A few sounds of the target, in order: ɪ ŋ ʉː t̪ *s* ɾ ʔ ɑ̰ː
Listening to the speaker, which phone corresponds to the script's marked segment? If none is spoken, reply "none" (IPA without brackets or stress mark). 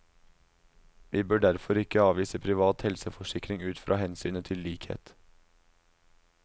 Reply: f